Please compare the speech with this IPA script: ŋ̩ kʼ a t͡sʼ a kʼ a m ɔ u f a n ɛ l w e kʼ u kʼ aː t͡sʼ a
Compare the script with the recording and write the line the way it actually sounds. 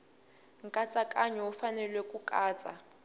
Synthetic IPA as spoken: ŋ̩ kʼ a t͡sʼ a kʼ a ɲ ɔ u f a n ɛ l w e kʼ u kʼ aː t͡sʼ a